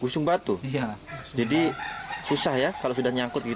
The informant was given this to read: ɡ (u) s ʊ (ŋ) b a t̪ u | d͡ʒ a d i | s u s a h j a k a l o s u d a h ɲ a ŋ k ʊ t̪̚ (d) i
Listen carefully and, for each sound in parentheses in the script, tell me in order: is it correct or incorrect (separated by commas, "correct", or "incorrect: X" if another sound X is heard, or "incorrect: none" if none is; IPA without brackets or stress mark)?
correct, correct, incorrect: ɡ